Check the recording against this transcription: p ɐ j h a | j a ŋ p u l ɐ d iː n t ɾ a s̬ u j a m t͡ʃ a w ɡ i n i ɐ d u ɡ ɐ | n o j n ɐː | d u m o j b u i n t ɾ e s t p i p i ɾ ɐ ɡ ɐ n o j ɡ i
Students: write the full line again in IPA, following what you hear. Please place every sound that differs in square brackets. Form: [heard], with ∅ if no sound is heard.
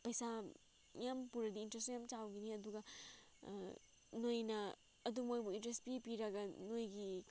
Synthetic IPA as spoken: p ɐ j [s] a | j a [m] p u [ɾ] ɐ d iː n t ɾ [e] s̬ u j a m t͡ʃ a w ɡ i n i ɐ d u ɡ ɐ | n o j n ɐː | d u m o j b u i n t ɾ e s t p i p i ɾ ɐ ɡ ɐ n o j ɡ i